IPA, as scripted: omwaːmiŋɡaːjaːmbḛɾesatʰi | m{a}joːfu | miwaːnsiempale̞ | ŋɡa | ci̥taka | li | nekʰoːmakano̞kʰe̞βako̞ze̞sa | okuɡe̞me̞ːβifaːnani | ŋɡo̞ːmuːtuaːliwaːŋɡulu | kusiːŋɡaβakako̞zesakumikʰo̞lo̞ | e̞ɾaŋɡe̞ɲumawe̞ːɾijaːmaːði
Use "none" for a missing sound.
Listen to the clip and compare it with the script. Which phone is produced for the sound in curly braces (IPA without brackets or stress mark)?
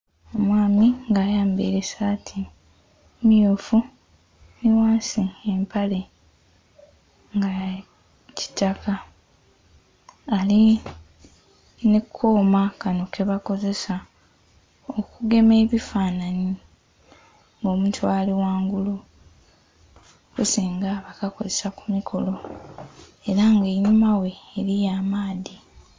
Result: i